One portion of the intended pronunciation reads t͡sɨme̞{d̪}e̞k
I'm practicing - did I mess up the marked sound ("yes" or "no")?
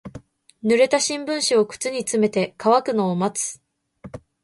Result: yes